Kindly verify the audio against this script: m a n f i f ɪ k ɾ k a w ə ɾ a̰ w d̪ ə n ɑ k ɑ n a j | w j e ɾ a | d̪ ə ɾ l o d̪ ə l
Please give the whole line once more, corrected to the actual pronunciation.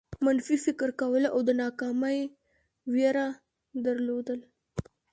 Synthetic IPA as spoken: m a n f i f ɪ k ɾ k a w ə l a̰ w d̪ ə n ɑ k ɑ m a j | w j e ɾ a | d̪ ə ɾ l o d̪ ə l